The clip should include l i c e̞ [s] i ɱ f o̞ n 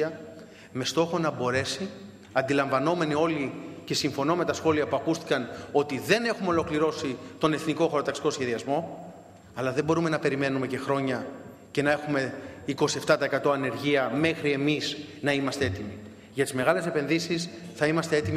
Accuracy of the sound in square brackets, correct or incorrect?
correct